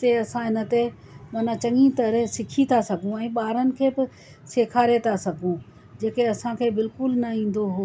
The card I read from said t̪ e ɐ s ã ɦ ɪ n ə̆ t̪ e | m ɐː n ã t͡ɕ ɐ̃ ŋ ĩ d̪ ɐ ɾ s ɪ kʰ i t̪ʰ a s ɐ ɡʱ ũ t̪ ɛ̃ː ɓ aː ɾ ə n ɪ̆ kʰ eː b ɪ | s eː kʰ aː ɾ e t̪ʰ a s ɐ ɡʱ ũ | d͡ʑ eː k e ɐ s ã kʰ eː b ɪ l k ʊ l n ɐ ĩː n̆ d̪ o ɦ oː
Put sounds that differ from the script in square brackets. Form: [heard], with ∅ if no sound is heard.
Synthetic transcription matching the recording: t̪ e ɐ s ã ɦ ɪ n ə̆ t̪ e | m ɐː n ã t͡ɕ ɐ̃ ŋ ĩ [t̪] ɐ ɾ s ɪ kʰ i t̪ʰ a s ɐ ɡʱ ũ [∅] ɛ̃ː ɓ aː ɾ ə n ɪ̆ kʰ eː b ɪ | s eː kʰ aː ɾ e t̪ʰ a s ɐ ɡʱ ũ | d͡ʑ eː k e ɐ s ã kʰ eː b ɪ l k ʊ l n ɐ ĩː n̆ d̪ o ɦ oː